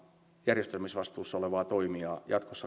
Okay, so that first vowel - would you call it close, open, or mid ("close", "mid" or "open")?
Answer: open